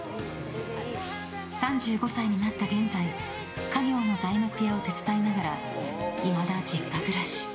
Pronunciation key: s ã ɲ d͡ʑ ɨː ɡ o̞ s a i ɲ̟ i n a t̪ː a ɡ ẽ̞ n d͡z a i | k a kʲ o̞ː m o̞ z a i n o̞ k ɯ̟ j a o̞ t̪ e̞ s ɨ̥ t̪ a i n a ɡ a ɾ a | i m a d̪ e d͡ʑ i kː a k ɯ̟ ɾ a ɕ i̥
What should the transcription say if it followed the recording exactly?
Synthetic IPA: s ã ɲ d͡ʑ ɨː ɡ o̞ s a i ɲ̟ i n a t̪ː a ɡ ẽ̞ n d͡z a i | k a ɡʲ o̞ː n o̞ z a i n o̞ k ɯ̟ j a o̞ t̪ e̞ t͡s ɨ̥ t̪ a i n a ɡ a ɾ a | i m a d̪ a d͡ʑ i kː a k ɯ̟ ɾ a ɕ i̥